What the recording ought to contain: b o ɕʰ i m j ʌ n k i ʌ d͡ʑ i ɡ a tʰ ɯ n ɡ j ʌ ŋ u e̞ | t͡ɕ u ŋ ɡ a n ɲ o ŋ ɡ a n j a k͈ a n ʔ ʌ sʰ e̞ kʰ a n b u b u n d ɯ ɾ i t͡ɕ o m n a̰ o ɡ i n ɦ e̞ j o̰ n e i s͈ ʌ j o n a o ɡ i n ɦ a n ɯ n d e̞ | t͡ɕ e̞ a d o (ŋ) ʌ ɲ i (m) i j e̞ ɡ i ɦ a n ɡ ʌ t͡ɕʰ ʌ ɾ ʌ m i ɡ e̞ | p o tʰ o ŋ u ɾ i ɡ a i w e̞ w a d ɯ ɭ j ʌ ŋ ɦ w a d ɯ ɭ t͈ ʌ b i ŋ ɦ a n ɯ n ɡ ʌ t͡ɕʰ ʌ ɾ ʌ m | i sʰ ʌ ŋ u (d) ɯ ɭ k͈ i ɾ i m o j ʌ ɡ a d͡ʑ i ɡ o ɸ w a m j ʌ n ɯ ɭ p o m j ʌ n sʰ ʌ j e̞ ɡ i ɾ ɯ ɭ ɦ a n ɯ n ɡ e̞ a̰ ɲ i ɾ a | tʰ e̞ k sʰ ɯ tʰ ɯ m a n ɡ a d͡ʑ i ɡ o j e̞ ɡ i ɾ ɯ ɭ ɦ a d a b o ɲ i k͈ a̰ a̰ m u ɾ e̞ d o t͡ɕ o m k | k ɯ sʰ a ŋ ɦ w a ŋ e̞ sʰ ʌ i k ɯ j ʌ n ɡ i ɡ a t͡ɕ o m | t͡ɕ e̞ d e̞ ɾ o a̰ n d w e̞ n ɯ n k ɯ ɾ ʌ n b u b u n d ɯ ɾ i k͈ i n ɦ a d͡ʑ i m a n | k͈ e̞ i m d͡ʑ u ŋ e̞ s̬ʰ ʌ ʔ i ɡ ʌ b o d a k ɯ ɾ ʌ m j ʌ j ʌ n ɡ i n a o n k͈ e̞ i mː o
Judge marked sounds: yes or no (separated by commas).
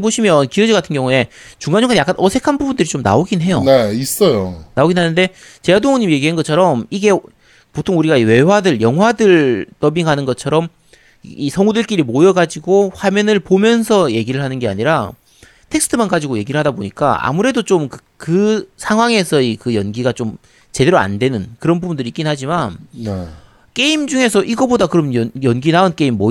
yes, yes, yes